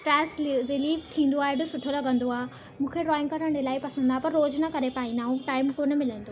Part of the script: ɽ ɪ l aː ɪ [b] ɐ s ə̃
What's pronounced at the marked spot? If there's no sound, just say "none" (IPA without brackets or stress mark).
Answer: p